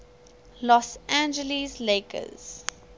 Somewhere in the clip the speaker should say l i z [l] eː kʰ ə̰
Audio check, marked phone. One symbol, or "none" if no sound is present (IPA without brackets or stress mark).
l